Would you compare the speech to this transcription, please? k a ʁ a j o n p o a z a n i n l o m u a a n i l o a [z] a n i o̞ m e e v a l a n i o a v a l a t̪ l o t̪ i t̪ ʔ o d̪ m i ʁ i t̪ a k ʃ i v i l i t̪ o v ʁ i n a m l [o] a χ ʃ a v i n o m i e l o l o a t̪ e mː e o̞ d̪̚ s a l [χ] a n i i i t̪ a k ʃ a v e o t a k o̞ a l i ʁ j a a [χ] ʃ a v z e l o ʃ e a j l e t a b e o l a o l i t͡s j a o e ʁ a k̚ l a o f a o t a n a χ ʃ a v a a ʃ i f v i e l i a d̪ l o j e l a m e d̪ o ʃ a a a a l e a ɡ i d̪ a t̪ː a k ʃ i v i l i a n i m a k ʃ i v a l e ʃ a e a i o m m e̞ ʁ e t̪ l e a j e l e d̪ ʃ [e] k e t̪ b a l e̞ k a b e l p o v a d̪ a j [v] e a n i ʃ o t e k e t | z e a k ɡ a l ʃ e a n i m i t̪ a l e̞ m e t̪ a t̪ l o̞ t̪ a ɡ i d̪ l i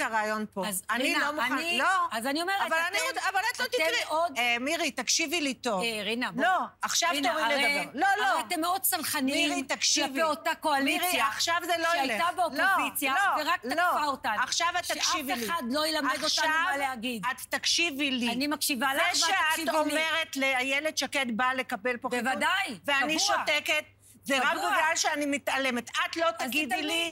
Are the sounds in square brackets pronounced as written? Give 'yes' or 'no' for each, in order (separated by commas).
yes, yes, yes, yes, no, yes